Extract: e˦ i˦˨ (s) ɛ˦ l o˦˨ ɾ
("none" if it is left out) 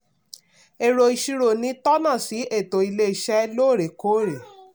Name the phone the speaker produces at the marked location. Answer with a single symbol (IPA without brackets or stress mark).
ʃ